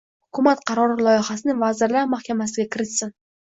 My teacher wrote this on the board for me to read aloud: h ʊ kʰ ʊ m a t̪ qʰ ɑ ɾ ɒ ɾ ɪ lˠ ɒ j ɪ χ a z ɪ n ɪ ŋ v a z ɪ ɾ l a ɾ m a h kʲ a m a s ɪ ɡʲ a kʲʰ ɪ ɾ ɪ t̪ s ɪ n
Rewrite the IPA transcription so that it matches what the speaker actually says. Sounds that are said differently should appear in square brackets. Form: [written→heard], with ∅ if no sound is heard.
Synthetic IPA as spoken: h ʊ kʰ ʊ m a t̪ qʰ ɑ ɾ ɒ ɾ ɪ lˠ ɒ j ɪ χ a [z→s] ɪ n ɪ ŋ v a z ɪ ɾ l a ɾ m a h kʲ a m a s ɪ ɡʲ a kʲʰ ɪ ɾ ɪ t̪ s ɪ n

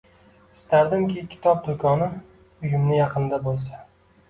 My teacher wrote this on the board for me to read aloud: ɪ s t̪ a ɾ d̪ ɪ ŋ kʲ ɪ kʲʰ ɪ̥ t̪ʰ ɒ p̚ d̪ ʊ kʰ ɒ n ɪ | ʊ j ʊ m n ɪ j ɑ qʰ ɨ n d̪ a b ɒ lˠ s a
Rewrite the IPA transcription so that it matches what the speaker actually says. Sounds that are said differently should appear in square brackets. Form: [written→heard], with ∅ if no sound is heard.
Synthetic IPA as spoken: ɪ s t̪ a ɾ d̪ ɪ [ŋ→m] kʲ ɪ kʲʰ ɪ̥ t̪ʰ ɒ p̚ d̪ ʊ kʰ ɒ n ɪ | ʊ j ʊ m n ɪ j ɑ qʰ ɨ n d̪ a b [ɒ→o] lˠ s a

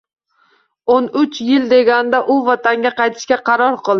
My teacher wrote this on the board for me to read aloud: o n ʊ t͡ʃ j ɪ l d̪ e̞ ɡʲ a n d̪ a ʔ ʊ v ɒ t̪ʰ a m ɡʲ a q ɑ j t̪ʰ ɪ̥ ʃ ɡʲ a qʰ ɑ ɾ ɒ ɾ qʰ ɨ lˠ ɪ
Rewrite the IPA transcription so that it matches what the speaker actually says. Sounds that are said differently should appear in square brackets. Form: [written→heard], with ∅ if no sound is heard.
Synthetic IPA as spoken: o n ʊ t͡ʃ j ɪ l d̪ e̞ ɡʲ a n d̪ a ʔ ʊ v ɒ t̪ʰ a [m→ŋ] ɡʲ a q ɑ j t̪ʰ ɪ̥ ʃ [ɡʲ→kʲ] a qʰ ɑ ɾ ɒ ɾ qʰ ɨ lˠ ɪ

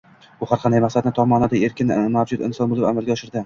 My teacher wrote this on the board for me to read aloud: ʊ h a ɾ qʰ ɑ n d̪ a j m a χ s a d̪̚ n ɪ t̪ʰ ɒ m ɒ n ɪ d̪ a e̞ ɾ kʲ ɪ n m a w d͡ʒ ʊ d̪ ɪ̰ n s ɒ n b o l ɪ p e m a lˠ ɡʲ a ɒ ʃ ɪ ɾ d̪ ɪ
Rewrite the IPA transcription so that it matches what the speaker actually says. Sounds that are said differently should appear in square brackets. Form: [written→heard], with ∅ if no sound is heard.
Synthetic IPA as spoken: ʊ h a ɾ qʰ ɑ n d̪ a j m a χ s a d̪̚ n ɪ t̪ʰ ɒ m ɒ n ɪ d̪ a e̞ ɾ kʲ ɪ n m a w d͡ʒ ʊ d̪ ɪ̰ n s ɒ n b o l ɪ p [e→a] m a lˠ ɡʲ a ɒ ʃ ɪ ɾ d̪ ɪ

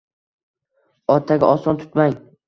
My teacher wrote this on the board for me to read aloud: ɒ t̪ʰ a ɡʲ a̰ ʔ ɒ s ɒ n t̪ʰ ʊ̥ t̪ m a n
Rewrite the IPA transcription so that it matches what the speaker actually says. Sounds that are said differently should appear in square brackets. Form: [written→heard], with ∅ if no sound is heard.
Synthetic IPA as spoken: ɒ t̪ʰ a ɡʲ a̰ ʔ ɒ s ɒ n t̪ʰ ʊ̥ t̪ m a [n→ŋ]

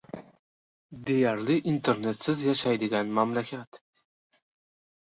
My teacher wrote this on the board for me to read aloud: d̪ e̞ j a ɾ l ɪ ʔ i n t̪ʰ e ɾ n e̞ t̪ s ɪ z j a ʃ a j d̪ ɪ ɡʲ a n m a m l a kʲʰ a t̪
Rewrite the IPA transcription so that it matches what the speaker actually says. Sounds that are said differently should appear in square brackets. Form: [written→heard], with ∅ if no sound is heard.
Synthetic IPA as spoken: d̪ e̞ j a ɾ l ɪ ʔ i n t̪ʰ e ɾ n e̞ t̪ s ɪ z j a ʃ a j d̪ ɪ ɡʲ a n m a m l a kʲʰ a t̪

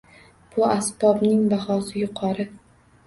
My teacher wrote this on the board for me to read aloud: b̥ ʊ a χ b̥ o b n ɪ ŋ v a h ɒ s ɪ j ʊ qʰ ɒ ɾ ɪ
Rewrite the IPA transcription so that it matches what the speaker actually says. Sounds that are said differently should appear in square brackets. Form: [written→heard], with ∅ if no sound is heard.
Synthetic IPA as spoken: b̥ ʊ a [χ→s] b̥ [o→ɒ] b n ɪ ŋ [v→b] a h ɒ s ɪ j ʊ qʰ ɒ ɾ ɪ

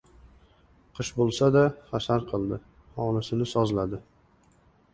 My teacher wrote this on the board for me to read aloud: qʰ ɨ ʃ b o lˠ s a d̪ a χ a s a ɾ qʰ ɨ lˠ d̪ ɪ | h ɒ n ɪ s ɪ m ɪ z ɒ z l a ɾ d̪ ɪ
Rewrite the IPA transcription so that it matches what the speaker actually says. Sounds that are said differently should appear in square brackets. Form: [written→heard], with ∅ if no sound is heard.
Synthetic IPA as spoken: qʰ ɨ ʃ b o lˠ s a d̪ a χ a s a ɾ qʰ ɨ lˠ d̪ ɪ | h ɒ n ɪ s ɪ [m→n] ɪ [z→s] ɒ z l a [ɾ→∅] d̪ ɪ

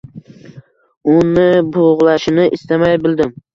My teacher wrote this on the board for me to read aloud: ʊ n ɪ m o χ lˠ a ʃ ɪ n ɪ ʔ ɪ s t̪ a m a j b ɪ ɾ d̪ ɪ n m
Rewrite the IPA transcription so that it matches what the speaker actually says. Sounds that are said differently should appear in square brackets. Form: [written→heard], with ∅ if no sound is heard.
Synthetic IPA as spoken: ʊ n ɪ [m→b] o [χ→ʁ] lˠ a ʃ ɪ n ɪ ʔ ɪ s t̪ a m a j b ɪ [ɾ→l] d̪ ɪ [n→∅] m

